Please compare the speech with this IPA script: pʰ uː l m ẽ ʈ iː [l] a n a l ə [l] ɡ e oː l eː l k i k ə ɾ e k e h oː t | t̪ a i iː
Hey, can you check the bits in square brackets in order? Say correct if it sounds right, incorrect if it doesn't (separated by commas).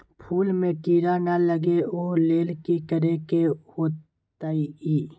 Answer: incorrect, incorrect